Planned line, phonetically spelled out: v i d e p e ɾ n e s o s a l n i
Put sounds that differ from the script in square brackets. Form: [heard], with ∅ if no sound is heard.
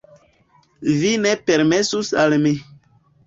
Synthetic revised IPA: v i [n] e p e ɾ [m] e s [u] s a l [m] i